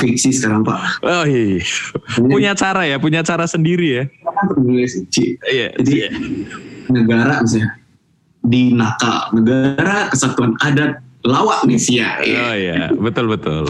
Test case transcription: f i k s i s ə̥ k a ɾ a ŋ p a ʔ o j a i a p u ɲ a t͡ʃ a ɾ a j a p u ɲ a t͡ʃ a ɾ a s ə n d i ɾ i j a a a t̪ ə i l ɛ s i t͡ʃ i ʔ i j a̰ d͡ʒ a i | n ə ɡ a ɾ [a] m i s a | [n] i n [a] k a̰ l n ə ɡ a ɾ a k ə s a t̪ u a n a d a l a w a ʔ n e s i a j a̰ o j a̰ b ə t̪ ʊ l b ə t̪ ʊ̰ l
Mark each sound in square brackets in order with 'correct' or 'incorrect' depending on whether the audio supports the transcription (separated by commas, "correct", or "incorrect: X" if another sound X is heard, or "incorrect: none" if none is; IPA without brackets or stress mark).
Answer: correct, incorrect: d, correct